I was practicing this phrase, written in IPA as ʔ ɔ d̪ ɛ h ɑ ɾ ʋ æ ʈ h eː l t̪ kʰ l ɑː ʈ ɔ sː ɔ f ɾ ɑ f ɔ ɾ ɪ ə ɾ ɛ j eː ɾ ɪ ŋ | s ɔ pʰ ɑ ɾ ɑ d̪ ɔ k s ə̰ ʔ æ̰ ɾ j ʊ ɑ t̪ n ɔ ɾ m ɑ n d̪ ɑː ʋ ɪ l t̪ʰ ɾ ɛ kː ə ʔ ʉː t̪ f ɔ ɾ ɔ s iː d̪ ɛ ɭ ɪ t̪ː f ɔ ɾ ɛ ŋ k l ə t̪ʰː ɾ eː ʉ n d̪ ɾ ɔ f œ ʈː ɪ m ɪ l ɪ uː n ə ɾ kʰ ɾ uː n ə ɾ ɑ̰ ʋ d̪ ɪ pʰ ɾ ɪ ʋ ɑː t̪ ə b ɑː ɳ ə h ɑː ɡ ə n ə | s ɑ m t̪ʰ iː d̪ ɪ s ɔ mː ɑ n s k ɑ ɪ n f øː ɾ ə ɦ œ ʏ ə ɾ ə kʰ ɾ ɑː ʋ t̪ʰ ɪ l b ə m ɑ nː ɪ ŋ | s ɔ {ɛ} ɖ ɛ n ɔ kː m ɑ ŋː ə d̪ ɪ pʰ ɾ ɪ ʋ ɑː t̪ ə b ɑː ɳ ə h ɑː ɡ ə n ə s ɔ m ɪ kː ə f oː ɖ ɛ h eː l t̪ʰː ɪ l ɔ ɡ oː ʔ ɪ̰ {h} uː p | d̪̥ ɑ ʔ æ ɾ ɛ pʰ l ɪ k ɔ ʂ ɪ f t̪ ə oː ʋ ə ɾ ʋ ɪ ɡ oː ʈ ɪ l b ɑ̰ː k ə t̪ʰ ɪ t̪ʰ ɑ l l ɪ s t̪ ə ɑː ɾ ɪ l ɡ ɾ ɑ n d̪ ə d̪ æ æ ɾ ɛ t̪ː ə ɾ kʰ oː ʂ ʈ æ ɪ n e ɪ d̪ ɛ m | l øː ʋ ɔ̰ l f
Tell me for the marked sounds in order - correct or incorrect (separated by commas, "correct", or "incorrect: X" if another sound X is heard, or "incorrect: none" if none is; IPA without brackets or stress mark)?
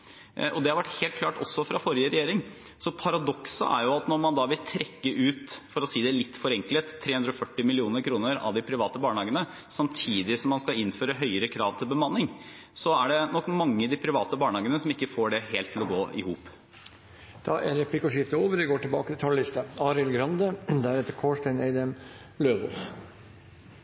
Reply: incorrect: æ, correct